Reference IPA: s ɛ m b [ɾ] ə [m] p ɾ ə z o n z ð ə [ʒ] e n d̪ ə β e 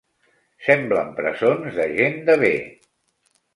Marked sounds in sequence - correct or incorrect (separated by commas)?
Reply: incorrect, correct, correct